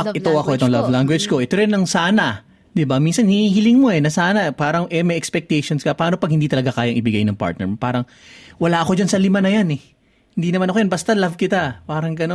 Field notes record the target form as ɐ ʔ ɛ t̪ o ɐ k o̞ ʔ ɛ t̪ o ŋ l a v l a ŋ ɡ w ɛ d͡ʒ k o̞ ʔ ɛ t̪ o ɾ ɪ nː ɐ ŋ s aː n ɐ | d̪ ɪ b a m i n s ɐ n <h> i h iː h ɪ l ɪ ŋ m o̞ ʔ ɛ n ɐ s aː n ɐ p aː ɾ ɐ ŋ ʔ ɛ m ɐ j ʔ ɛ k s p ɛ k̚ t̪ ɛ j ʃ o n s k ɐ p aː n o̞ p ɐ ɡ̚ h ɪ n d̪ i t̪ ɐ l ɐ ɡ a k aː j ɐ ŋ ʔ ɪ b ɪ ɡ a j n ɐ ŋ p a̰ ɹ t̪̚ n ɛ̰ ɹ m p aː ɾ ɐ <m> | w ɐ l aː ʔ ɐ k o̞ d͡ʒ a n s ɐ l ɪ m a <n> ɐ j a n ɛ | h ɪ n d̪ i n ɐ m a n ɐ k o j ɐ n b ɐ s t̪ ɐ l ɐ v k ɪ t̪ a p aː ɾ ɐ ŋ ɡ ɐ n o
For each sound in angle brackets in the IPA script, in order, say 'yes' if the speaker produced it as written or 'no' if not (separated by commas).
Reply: yes, no, yes